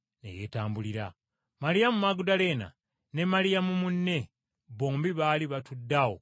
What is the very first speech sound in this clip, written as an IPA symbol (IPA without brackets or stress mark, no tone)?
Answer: n